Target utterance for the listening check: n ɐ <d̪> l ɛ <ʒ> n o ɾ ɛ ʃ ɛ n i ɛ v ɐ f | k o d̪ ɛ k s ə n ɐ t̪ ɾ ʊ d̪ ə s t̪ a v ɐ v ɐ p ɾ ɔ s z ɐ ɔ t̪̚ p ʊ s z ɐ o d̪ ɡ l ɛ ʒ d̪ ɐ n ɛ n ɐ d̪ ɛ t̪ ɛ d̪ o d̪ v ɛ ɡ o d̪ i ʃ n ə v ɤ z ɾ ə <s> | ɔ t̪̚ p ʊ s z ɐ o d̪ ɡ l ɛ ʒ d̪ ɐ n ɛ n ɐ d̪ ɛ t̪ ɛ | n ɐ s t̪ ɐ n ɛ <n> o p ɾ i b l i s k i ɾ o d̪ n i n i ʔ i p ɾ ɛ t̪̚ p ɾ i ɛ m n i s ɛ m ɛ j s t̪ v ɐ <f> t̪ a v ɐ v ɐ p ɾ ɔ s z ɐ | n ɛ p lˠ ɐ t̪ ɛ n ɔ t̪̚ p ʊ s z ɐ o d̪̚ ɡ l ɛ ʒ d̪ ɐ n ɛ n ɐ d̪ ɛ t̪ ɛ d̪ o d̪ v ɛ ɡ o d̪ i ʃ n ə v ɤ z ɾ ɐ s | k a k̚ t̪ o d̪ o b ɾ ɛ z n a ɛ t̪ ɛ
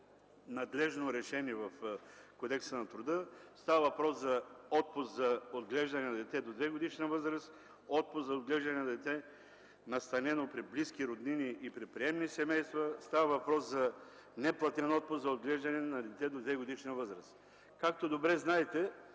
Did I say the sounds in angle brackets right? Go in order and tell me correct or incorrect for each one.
correct, correct, correct, correct, incorrect

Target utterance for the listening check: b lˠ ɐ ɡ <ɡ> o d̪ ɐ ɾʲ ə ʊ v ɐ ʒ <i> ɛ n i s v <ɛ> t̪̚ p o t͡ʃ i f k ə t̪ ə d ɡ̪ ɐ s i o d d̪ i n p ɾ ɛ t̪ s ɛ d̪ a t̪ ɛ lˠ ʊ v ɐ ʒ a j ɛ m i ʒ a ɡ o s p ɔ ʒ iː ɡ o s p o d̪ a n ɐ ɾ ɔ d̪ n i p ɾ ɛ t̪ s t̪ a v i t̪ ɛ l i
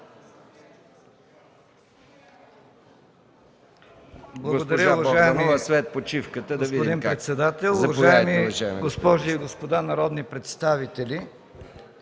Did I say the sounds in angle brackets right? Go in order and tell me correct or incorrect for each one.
correct, incorrect, correct

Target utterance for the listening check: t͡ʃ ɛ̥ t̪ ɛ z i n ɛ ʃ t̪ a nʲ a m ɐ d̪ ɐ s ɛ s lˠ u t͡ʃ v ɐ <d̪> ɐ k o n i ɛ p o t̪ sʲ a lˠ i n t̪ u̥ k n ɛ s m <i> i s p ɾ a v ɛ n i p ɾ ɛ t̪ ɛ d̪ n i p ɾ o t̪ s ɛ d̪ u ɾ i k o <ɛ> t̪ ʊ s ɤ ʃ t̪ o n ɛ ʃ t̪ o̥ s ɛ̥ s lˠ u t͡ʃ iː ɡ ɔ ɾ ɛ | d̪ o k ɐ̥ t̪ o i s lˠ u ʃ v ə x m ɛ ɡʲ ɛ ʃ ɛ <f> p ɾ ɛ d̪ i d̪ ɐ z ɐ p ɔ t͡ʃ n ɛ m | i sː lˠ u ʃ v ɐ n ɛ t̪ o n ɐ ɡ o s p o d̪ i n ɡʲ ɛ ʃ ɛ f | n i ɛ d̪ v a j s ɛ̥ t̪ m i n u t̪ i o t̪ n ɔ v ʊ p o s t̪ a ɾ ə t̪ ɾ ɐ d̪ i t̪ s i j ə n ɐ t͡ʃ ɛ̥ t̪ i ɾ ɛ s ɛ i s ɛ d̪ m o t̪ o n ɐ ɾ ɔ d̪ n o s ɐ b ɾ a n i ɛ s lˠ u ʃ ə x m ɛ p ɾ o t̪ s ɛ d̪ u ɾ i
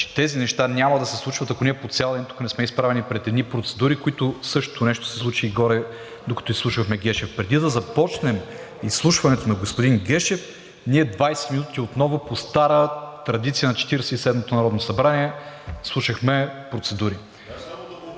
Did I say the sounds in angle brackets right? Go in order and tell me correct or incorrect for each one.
incorrect, incorrect, incorrect, correct

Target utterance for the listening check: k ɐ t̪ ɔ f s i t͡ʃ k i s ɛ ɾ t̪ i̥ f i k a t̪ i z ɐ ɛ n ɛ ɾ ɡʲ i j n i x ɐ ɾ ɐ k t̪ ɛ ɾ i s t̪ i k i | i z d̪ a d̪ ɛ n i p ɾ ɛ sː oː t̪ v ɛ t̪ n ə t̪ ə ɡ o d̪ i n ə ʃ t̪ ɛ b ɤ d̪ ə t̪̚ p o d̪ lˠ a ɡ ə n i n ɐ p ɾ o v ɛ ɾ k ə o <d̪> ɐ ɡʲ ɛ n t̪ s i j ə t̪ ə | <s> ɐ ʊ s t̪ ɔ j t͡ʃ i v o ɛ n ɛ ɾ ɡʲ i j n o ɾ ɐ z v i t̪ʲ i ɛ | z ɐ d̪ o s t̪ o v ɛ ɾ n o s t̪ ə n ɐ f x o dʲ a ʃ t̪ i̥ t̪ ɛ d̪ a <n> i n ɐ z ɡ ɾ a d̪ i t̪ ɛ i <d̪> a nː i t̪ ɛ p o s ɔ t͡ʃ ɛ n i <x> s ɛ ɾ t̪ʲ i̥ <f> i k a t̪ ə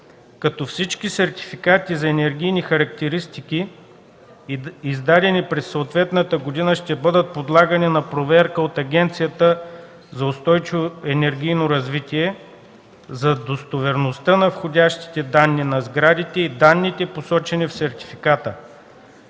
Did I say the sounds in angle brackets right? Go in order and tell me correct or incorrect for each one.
incorrect, incorrect, incorrect, correct, incorrect, correct

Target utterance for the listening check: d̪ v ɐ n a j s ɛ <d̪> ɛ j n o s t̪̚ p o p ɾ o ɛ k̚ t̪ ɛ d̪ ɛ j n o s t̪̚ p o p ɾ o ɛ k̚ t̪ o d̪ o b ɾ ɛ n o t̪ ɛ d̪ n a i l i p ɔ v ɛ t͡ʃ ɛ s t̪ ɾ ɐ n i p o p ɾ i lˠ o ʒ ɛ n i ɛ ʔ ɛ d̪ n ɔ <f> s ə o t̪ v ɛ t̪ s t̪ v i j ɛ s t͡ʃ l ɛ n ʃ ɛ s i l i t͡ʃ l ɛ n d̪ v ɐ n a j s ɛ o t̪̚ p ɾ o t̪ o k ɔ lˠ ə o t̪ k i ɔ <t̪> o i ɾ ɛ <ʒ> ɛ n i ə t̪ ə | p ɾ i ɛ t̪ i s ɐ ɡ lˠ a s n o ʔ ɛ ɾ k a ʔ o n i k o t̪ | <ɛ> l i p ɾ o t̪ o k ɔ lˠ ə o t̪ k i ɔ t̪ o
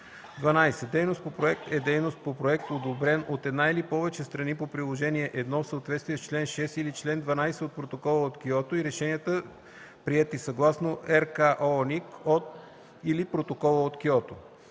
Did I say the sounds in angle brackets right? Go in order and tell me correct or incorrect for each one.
correct, correct, correct, incorrect, incorrect

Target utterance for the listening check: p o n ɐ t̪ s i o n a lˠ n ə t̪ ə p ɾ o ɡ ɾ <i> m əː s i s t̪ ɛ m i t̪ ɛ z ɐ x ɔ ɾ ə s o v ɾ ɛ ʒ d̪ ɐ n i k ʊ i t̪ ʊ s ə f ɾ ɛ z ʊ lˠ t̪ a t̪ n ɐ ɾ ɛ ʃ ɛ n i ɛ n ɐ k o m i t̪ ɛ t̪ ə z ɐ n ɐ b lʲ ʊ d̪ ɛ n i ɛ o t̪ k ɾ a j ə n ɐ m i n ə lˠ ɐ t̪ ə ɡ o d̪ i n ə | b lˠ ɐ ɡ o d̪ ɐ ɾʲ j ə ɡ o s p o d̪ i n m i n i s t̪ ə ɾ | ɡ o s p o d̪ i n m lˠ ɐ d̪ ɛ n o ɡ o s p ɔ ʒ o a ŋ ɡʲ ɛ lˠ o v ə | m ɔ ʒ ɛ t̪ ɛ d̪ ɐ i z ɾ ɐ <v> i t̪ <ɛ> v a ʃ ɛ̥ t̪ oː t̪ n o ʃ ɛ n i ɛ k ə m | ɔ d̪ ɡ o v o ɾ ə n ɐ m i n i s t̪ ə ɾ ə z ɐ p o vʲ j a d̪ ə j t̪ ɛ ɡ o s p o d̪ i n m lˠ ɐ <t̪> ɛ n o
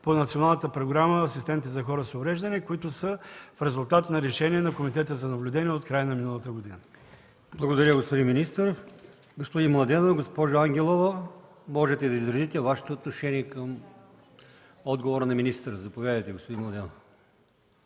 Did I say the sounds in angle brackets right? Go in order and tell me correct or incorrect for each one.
incorrect, incorrect, correct, incorrect

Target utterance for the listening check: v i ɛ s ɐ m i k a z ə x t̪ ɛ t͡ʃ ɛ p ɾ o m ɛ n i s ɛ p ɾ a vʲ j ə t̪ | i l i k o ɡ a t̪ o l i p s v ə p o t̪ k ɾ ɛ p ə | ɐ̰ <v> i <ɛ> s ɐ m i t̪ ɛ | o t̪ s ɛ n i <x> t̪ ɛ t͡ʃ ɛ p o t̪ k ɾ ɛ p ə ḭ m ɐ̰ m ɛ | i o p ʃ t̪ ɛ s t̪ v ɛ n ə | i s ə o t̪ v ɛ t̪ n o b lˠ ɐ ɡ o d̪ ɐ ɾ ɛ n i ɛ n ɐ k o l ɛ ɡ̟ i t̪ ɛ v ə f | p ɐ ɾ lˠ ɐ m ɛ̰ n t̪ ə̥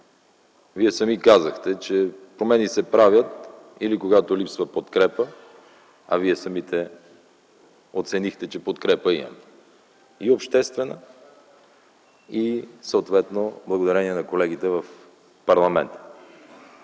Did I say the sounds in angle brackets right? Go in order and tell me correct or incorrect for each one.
correct, correct, correct

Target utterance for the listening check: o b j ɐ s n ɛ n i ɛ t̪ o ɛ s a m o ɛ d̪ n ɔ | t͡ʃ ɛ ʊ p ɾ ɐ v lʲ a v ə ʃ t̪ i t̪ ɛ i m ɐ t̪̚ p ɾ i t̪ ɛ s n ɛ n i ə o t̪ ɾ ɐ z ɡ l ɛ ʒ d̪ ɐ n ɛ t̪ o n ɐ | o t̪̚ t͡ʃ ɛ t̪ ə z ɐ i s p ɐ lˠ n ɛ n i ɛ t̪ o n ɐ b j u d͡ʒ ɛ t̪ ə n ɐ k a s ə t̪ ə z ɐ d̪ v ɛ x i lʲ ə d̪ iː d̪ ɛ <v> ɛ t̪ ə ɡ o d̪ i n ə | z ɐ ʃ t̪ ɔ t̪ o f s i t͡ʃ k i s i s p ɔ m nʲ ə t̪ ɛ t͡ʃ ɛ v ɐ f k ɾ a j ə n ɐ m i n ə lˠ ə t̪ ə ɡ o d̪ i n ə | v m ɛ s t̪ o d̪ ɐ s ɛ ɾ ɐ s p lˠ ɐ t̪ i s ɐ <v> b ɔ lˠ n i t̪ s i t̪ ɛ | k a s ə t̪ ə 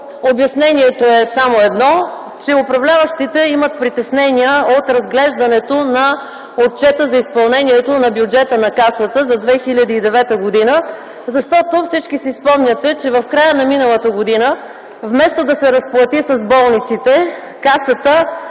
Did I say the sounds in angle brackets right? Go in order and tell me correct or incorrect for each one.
correct, incorrect

